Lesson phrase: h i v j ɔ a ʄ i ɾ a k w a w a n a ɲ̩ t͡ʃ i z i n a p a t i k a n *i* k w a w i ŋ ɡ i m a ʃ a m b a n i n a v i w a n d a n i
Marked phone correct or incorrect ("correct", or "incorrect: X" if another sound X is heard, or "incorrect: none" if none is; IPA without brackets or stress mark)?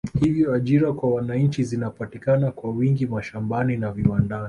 incorrect: a